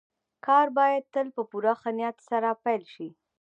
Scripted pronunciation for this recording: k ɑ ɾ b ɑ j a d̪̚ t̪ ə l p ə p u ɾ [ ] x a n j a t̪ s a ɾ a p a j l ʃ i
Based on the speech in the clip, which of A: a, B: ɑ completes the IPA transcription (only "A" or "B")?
A